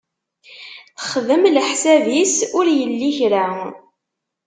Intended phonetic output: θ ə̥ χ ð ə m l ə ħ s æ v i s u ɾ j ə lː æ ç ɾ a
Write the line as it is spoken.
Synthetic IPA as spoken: θ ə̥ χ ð ə m l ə ħ s æ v i s ʊ ɾ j ə lː i ç ɾ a